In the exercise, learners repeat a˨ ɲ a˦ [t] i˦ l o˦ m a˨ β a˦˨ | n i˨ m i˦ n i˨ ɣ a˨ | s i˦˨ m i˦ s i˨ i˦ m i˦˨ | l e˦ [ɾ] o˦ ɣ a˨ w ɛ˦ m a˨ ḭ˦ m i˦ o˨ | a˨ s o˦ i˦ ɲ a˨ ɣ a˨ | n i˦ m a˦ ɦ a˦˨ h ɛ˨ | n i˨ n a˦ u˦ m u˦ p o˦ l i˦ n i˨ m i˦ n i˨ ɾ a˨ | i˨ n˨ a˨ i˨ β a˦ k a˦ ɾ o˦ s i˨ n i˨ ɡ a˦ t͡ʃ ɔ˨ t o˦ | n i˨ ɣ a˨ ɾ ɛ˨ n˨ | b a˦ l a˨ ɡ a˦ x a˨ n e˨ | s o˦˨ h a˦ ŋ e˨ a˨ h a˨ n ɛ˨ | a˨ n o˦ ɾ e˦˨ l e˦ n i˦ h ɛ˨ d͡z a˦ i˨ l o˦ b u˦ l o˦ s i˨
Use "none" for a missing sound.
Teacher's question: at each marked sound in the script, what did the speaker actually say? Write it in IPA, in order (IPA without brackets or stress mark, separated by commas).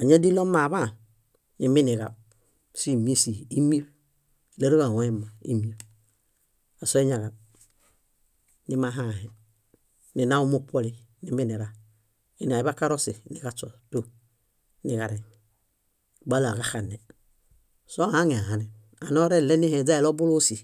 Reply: d, ɾ